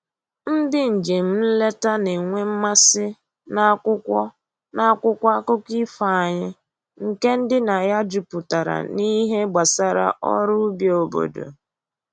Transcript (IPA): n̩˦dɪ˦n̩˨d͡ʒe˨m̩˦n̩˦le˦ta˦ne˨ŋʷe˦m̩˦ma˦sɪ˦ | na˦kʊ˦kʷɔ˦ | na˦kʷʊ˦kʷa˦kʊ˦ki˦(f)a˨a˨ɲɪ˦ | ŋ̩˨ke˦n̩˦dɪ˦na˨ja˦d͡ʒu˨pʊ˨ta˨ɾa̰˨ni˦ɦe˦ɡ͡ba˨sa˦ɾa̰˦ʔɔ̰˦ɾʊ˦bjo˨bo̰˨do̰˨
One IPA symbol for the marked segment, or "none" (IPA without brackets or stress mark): f